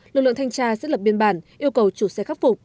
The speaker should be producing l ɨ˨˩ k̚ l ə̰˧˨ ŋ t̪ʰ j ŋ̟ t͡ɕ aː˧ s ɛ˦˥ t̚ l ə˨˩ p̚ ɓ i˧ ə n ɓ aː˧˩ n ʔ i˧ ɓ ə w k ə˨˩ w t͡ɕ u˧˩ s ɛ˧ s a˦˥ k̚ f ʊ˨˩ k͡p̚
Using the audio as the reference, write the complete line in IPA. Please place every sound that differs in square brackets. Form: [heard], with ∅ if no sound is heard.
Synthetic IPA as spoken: l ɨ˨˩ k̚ l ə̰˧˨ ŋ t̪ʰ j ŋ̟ t͡ɕ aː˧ s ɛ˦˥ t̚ l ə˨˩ p̚ ɓ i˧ ə n ɓ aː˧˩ n ʔ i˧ [∅] ə w k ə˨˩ w t͡ɕ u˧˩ s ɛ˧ [x] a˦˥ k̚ f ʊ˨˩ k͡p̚